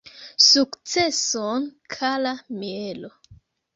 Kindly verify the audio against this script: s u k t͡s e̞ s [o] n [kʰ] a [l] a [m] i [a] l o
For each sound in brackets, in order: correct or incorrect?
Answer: correct, correct, correct, correct, incorrect: e

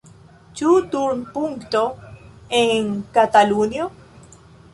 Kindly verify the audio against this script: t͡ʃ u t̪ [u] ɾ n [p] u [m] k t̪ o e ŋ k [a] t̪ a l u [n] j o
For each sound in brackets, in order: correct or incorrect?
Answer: correct, correct, incorrect: ŋ, correct, correct

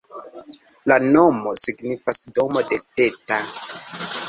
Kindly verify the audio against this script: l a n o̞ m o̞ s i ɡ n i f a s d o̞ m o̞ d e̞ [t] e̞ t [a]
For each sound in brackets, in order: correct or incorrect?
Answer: correct, correct

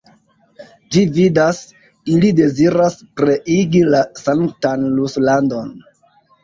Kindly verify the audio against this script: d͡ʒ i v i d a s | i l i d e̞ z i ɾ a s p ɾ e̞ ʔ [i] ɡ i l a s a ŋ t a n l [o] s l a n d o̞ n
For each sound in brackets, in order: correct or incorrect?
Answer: correct, incorrect: u

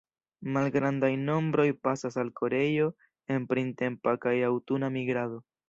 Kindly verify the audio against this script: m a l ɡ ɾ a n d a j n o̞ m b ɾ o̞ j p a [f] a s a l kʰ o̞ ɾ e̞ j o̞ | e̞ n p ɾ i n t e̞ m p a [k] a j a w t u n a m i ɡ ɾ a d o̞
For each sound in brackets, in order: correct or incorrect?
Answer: incorrect: s, correct

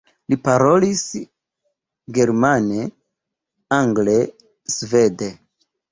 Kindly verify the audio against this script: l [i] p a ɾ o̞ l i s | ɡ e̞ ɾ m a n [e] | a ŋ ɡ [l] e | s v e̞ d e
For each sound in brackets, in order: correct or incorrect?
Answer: correct, correct, correct

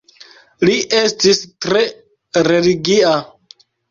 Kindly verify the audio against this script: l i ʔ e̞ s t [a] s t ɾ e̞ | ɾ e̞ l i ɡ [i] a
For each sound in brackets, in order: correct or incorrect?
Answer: incorrect: i, correct

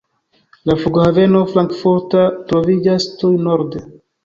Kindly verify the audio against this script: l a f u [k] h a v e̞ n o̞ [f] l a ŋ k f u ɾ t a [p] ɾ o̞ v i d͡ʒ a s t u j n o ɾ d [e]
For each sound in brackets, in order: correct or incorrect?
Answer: incorrect: ɡ, correct, incorrect: t, correct

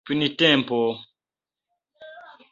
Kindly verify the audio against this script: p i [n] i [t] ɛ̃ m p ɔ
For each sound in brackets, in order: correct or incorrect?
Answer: correct, correct

